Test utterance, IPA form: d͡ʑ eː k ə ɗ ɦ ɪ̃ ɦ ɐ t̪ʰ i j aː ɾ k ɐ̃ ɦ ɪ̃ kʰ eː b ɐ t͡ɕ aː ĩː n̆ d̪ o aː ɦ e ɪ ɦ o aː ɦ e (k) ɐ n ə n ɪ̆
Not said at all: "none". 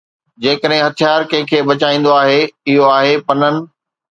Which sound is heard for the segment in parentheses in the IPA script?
p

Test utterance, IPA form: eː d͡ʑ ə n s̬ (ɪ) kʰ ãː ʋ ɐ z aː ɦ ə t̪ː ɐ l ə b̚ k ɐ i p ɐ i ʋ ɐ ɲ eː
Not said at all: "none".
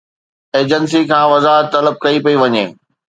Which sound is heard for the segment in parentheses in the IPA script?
i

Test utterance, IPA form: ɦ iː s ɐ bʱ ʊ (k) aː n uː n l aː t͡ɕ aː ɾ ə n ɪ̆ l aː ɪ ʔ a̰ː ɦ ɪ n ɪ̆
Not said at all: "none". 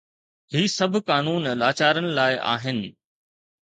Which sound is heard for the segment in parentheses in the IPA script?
k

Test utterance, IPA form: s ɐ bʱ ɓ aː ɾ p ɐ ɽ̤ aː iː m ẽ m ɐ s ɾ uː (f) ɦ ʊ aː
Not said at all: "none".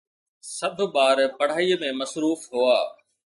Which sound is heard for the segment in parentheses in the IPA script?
f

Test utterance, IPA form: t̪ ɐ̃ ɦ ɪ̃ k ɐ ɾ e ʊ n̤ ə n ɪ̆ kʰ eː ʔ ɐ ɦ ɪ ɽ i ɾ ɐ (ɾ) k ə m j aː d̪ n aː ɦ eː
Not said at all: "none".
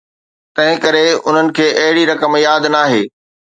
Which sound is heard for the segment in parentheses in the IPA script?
none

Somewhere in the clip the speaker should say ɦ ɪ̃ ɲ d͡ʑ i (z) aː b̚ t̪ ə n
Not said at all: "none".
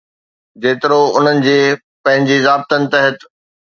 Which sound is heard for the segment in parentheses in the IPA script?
z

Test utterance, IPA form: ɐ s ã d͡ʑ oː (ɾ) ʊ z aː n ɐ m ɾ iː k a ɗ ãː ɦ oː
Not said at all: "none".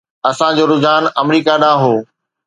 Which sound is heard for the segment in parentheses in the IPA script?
ɾ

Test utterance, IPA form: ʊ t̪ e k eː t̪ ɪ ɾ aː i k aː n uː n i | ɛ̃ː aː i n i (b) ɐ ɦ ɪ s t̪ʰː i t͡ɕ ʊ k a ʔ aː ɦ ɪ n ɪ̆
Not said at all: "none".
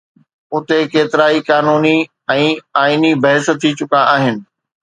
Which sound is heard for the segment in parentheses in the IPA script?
b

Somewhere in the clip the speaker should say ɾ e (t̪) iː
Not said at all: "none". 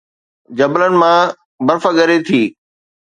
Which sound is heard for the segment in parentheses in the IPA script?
t̪ʰ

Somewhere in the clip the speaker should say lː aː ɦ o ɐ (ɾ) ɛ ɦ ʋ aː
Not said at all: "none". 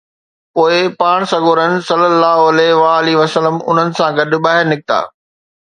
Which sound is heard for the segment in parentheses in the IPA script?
l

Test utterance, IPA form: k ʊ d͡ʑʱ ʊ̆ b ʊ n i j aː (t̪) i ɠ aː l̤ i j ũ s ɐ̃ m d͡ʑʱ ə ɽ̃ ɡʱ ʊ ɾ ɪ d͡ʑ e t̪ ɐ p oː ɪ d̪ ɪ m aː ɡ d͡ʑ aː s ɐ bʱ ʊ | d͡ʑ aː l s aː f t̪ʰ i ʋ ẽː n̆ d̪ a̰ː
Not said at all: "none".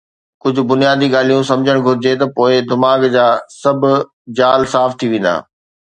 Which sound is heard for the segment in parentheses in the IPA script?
d̪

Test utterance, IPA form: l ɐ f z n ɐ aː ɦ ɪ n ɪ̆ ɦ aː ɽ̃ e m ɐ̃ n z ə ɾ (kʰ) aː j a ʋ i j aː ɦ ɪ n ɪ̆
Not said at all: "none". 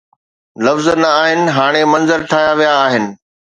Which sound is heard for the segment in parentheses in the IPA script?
ʈʰ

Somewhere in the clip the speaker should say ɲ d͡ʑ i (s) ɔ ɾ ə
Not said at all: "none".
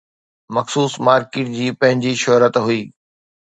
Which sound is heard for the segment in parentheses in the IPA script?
ʃ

